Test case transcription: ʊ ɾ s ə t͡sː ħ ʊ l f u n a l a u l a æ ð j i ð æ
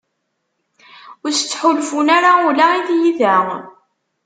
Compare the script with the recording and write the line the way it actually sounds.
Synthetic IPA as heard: ʊ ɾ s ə t͡sː ħ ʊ l f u n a ɾ a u l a i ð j i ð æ